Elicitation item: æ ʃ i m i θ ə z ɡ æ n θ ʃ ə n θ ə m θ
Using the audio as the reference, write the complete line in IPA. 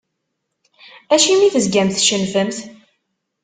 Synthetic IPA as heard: æ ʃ i m i θ ə z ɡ æ m θ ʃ ə n f ə m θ